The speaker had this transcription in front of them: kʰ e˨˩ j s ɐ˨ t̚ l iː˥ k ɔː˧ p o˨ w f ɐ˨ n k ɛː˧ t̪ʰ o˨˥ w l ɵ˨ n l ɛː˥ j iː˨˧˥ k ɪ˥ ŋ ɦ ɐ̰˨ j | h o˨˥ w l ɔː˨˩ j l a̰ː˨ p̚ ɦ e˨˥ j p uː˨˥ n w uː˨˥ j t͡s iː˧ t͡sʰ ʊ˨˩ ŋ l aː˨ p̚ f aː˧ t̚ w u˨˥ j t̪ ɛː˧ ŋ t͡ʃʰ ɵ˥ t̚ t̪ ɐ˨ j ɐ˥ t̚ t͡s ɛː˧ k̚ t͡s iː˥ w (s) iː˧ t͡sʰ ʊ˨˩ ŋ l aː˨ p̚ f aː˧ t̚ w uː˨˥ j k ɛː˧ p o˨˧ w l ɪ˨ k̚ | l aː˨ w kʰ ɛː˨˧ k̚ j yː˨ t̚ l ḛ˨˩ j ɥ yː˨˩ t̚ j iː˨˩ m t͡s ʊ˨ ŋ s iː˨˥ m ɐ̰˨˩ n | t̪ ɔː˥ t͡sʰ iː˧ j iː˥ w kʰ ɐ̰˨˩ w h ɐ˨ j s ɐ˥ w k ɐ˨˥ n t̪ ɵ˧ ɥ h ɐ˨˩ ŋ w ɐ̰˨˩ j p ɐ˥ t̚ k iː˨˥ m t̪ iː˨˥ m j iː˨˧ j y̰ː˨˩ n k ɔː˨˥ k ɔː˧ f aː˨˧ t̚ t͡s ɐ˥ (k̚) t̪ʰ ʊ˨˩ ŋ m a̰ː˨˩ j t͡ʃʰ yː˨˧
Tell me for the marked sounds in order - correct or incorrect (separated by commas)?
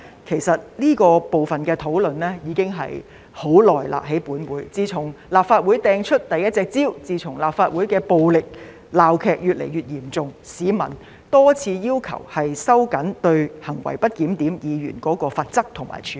incorrect, correct